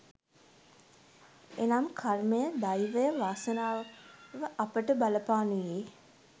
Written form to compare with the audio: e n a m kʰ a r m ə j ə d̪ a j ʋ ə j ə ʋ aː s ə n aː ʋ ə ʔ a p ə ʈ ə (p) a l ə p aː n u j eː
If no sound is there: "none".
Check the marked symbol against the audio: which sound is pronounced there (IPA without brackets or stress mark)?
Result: b